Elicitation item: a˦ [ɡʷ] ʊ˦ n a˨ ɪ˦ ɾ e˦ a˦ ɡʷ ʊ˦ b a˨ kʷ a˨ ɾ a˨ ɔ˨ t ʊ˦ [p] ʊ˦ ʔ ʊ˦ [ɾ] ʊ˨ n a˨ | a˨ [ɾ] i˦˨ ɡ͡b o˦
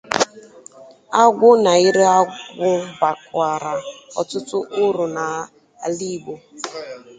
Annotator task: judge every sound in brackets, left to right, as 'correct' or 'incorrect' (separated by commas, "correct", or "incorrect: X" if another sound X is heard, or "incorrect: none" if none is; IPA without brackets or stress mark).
correct, incorrect: t, correct, incorrect: l